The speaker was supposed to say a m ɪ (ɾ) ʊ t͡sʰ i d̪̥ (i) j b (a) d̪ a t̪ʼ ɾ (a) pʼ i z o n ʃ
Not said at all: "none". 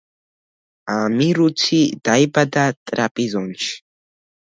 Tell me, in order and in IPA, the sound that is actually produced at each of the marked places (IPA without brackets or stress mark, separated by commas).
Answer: ɾ, a, a, a